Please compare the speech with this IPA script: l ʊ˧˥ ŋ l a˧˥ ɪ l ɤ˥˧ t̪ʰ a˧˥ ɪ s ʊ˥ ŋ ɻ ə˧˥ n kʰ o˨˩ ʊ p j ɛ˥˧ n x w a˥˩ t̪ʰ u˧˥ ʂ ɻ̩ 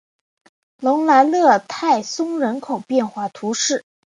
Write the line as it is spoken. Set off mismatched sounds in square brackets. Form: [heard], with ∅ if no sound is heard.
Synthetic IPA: l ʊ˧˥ ŋ l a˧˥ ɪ l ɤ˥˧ t̪ʰ [a˥˩] ɪ s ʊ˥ ŋ ɻ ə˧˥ n kʰ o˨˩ ʊ p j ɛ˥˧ n x w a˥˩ t̪ʰ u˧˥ ʂ ɻ̩